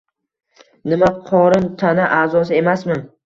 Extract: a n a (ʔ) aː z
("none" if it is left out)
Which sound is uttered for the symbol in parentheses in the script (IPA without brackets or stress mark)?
ʔ